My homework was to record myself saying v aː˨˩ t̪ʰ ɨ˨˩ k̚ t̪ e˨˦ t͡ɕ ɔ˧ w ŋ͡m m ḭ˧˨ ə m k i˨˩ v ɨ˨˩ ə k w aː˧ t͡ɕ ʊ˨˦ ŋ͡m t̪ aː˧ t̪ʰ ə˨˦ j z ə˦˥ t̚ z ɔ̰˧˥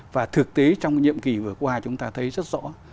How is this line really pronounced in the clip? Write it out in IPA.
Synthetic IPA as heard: v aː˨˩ t̪ʰ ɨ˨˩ k̚ t̪ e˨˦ t͡ɕ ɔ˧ w ŋ͡m ɲ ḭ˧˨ ə m k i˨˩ v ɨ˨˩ ə k w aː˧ t͡ɕ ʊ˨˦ ŋ͡m t̪ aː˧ t̪ʰ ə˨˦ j z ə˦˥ t̚ z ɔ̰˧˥